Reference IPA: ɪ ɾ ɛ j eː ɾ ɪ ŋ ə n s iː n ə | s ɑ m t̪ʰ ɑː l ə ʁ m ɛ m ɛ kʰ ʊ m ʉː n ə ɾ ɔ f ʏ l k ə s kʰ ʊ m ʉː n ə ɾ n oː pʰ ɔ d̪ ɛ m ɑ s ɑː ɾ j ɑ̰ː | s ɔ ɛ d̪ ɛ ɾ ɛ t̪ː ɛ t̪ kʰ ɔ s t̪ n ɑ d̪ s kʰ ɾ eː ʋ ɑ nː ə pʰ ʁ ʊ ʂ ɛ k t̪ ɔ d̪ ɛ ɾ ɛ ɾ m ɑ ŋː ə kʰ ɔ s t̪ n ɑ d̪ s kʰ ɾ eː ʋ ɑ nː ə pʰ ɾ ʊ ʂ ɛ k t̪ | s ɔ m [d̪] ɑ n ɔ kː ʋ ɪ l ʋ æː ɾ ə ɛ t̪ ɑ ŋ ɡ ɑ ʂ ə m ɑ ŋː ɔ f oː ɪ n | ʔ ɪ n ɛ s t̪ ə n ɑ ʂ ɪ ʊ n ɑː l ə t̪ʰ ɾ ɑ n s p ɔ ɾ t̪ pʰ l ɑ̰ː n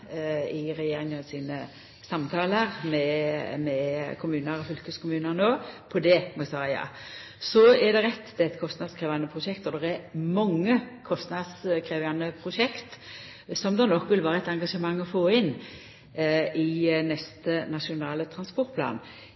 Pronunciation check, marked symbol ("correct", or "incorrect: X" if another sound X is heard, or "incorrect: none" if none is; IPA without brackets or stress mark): correct